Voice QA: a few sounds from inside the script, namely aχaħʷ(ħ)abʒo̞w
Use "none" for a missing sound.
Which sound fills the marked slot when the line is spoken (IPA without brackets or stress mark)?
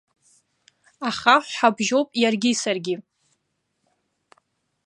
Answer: ħ